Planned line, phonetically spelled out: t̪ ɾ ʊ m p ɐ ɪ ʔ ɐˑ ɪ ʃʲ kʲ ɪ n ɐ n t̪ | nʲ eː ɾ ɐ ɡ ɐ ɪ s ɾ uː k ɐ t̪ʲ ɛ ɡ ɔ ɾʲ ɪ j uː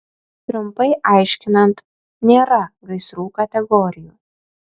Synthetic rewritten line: t̪ ɾ ʊ m p ɐ ɪ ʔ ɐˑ ɪ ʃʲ kʲ ɪ n ɐ n t̪ | nʲ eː ɾ ɐ ɡ ɐ ɪ s ɾ uː k ɐ t̪ʲ ɛ ɡ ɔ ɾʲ ɪ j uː